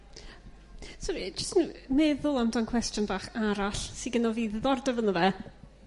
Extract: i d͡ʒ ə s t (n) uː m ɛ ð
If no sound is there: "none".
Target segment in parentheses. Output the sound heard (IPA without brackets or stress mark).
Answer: n